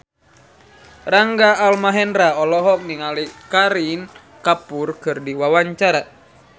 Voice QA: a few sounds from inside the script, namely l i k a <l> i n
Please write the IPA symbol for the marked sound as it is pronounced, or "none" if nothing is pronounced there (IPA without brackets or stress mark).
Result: ɾ